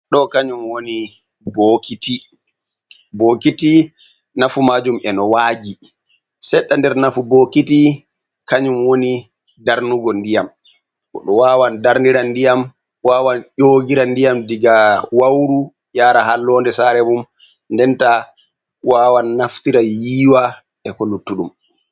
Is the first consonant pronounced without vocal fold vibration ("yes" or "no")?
no